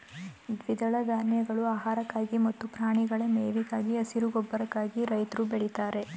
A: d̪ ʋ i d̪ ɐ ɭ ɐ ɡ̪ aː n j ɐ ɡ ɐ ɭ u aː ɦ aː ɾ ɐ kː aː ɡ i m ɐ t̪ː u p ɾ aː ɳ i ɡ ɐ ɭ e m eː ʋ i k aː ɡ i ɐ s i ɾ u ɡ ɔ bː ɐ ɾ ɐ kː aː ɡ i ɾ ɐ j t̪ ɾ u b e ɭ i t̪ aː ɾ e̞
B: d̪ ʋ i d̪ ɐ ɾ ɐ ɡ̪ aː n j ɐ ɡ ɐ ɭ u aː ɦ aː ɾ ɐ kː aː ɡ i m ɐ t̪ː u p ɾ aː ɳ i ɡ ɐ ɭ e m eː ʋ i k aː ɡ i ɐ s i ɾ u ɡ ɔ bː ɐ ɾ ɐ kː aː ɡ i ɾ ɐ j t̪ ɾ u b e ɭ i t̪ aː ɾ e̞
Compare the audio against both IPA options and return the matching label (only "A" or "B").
A